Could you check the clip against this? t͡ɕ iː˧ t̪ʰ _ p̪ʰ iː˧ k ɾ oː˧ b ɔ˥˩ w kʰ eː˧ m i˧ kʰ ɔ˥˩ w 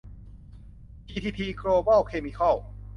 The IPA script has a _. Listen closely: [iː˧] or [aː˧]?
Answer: iː˧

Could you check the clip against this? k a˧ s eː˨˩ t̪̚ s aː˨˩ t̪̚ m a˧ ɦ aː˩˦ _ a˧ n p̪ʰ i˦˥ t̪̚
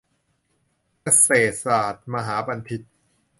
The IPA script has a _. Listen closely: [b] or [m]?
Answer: b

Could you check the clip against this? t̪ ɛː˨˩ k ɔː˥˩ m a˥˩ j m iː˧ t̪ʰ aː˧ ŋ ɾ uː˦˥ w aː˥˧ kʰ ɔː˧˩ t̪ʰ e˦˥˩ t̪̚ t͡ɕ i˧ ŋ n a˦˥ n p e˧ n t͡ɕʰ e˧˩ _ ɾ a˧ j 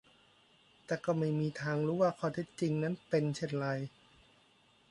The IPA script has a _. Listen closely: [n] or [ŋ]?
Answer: n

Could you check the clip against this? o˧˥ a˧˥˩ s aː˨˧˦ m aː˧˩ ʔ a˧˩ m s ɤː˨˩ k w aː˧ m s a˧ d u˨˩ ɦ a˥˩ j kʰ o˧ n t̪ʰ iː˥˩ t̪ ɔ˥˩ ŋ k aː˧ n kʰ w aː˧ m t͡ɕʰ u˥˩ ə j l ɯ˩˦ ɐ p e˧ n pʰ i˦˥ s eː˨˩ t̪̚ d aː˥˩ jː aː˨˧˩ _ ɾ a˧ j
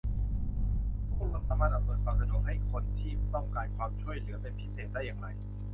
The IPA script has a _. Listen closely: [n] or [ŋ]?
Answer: ŋ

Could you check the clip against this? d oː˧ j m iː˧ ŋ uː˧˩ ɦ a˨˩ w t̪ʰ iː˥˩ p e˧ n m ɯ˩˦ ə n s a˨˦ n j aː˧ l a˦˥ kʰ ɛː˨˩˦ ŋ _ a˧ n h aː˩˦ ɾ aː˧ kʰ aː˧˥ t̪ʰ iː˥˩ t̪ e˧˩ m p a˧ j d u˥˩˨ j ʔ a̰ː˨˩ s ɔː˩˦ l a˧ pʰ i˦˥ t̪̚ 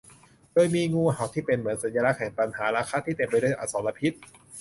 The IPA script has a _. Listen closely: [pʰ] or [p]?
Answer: p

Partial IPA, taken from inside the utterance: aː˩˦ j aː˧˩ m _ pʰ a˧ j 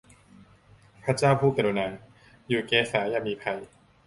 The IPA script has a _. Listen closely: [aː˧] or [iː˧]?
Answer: iː˧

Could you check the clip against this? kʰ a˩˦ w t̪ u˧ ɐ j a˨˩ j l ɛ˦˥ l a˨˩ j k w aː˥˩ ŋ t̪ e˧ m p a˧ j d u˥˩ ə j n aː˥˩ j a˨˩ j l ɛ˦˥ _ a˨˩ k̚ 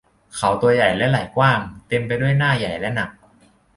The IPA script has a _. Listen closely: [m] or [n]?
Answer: n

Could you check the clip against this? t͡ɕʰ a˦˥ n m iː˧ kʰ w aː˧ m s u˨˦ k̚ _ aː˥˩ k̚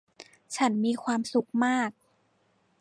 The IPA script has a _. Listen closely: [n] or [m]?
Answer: m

